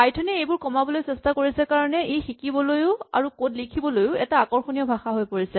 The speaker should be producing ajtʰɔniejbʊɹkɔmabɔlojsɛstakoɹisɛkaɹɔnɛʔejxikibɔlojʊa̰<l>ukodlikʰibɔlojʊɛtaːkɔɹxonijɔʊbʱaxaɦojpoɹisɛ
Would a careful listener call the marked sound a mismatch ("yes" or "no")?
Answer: yes